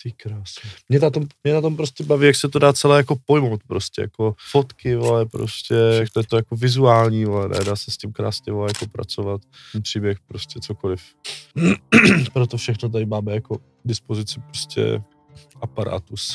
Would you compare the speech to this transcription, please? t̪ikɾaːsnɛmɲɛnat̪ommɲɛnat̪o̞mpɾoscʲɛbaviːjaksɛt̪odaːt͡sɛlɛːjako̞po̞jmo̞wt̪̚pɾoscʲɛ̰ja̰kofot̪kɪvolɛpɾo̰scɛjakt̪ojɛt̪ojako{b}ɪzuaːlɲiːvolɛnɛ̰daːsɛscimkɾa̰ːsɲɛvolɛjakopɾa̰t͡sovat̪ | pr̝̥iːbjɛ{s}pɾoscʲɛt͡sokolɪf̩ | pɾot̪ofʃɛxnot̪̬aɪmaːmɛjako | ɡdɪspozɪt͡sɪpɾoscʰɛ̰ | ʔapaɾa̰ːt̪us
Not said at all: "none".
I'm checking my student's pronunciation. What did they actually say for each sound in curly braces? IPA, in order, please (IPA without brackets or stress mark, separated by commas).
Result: v, x